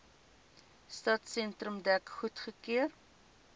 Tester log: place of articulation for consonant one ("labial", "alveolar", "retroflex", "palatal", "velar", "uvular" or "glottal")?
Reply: alveolar